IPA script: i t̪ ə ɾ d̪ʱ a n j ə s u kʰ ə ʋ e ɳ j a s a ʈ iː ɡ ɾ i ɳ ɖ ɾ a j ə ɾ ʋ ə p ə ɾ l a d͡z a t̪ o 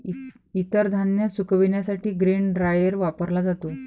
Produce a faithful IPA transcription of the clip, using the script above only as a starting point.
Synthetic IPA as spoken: i t̪ ə ɾ d̪ʱ a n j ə s u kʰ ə ʋ i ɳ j a s a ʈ iː ɡ ɾ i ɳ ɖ ɾ a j ə ɾ ʋ a p ə ɾ l a d͡z a t̪ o